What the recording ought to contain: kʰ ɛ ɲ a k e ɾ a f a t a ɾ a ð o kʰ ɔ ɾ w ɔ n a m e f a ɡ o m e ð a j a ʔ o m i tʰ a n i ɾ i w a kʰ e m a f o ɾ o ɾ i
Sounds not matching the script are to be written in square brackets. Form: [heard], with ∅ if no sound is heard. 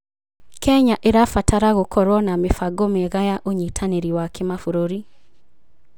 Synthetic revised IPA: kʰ ɛ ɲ a [ʔ] e ɾ a f a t a ɾ a [ɣ] o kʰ ɔ ɾ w ɔ n a m e f a ɡ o m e [ɣ] a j a ʔ o [ɲ] i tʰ a n [e] ɾ i w a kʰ e m a f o ɾ o ɾ i